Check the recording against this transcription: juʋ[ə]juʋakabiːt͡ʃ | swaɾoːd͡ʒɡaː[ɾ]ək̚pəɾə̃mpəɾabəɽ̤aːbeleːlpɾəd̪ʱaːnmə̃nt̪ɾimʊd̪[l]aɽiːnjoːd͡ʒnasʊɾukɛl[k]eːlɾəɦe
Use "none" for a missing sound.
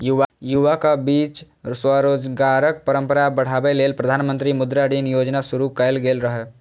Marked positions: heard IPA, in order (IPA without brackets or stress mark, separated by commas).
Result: a, ɾ, ɾ, ɡ